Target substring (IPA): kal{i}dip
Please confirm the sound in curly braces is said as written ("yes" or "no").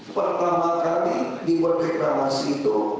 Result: yes